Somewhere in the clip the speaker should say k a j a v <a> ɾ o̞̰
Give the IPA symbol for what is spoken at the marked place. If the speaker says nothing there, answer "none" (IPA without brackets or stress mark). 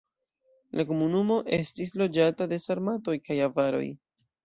a